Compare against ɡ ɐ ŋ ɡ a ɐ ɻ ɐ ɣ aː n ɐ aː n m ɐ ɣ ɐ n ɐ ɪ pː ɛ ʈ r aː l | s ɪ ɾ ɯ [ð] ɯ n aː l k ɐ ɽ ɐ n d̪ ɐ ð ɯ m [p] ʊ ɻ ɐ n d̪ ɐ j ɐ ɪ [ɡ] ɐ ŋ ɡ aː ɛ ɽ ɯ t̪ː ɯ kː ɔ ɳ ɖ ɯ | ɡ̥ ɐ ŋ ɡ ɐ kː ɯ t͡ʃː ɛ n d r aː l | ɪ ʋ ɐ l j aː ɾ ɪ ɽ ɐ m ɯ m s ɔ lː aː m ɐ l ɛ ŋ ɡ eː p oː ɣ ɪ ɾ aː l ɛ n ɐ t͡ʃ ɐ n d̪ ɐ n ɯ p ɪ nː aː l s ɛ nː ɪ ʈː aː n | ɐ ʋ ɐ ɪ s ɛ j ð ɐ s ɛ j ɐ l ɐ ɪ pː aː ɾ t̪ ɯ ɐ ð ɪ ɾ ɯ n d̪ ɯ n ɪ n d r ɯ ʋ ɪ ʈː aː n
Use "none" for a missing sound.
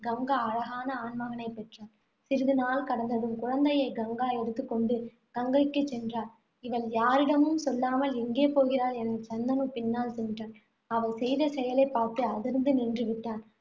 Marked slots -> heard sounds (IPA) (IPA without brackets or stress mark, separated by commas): ð, k, ɡ